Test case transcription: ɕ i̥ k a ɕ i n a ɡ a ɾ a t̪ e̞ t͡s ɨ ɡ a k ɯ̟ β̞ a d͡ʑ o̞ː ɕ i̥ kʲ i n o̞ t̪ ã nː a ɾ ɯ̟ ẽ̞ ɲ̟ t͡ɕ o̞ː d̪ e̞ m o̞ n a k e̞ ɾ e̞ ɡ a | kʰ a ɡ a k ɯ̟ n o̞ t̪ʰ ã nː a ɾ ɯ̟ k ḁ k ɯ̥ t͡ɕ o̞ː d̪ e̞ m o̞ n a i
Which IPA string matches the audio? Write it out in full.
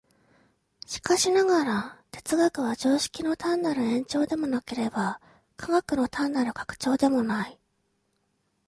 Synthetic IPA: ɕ i̥ k a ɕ i n a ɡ a ɾ a t̪ e̞ t͡s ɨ ɡ a k ɯ̟ β̞ a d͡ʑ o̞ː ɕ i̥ kʲ i n o̞ t̪ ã nː a ɾ ɯ̟ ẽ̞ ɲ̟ t͡ɕ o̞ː d̪ e̞ m o̞ n a k e̞ ɾ e̞ b a | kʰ a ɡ a k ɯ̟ n o̞ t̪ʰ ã nː a ɾ ɯ̟ k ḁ k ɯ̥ t͡ɕ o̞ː d̪ e̞ m o̞ n a i